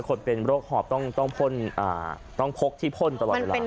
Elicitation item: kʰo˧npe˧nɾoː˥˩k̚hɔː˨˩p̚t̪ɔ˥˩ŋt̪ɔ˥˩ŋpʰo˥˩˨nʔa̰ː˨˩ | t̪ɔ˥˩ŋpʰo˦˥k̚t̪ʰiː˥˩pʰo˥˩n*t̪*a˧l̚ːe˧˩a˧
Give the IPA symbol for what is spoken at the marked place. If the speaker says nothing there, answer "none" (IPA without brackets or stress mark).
t̪